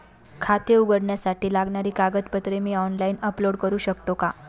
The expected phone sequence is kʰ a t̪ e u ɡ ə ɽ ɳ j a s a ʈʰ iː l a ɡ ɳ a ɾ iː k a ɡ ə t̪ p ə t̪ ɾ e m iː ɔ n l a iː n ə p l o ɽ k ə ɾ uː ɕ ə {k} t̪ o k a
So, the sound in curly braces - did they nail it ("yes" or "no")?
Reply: yes